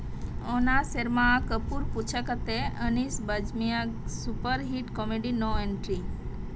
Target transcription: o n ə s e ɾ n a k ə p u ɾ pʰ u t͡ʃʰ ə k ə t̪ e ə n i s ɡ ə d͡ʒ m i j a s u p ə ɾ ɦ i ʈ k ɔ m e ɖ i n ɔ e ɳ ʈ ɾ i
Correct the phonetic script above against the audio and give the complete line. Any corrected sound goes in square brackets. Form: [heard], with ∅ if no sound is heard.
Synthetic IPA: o n [a] s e ɾ [m] a k ə p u ɾ [p] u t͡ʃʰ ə k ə t̪ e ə n i s [b] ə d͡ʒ m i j a s u p ə ɾ ɦ i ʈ k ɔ m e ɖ i n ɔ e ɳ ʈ ɾ i